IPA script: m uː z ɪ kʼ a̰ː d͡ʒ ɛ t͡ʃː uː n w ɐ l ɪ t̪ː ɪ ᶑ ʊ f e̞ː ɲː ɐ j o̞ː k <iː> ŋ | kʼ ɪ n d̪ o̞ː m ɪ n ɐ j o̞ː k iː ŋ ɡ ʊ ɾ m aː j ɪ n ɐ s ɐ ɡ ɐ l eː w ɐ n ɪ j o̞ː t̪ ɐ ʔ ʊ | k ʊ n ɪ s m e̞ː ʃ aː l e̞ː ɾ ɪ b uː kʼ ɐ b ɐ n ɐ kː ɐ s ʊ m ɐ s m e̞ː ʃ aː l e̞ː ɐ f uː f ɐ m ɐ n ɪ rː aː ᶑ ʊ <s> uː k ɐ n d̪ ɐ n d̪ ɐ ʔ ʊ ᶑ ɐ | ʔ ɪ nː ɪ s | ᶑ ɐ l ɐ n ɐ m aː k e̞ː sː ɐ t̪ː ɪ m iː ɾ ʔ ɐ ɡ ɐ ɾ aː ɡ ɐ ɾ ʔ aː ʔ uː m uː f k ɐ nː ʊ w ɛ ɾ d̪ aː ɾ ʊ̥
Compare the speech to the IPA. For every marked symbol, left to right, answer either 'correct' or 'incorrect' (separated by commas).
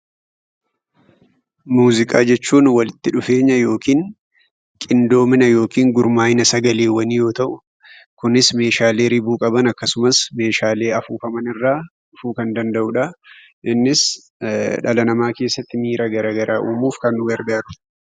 correct, incorrect